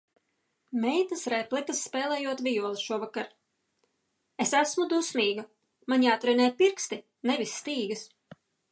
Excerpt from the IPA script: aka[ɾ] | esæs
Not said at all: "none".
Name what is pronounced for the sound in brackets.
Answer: ɾ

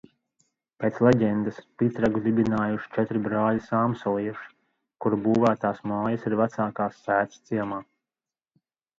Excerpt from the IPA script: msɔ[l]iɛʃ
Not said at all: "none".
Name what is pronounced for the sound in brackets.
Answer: l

